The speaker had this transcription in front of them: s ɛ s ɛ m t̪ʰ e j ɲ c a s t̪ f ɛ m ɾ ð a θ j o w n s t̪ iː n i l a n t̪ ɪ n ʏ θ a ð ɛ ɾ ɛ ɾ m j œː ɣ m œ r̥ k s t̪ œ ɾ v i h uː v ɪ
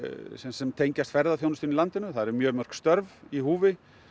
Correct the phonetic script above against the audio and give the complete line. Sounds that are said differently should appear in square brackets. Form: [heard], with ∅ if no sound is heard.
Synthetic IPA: s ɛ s ɛ m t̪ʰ e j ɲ c a s t̪ f ɛ [∅] ɾ ð a θ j o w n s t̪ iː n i l a n t̪ ɪ n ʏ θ a ð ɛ ɾ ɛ ɾ m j œː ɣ m œ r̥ k s t̪ œ ɾ v i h uː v ɪ